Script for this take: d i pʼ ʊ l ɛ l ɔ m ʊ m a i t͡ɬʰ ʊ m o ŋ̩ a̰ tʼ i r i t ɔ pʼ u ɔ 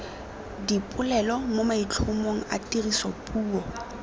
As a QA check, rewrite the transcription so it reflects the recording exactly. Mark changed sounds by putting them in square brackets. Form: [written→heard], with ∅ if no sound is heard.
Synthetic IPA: d i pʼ ʊ l ɛ l ɔ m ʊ m a i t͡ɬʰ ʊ m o ŋ̩ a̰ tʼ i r i [t→s] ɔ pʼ [u→uː] ɔ